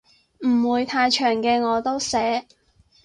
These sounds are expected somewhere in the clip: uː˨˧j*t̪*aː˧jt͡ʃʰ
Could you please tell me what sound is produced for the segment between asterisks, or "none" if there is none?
t̪ʰ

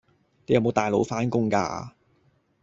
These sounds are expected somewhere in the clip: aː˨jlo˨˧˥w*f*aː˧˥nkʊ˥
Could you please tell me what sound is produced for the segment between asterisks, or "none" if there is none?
f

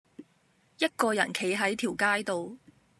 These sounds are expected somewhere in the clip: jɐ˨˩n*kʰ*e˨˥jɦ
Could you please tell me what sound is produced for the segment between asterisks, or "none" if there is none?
kʰ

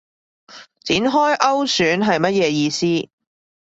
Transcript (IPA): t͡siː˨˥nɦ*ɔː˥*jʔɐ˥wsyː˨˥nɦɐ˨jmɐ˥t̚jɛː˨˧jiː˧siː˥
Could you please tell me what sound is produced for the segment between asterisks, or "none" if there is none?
ɔː˥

